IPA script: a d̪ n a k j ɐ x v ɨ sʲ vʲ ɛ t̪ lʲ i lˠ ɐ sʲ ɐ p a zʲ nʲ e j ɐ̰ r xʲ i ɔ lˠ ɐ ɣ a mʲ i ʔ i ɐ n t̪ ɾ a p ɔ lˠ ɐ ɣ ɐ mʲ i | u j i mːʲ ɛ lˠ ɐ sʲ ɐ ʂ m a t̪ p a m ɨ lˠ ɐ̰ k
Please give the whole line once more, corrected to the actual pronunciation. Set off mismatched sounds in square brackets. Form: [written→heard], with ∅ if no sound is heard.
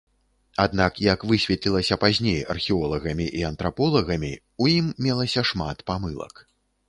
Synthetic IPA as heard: a d̪ n a k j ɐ [x→k] v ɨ sʲ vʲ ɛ t̪ lʲ i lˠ ɐ sʲ ɐ p a zʲ nʲ e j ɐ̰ r xʲ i ɔ lˠ ɐ ɣ [a→ɐ] mʲ i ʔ i ɐ n t̪ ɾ a p ɔ lˠ ɐ ɣ ɐ mʲ i | u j i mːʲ ɛ lˠ ɐ sʲ ɐ ʂ m a t̪ p a m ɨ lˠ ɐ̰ k